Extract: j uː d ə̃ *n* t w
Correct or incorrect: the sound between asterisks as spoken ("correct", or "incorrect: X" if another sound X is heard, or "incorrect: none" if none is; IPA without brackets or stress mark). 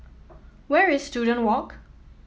correct